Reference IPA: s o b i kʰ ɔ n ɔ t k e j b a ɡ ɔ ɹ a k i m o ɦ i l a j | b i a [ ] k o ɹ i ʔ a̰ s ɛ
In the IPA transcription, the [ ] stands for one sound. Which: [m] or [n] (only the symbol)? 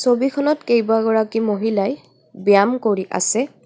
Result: m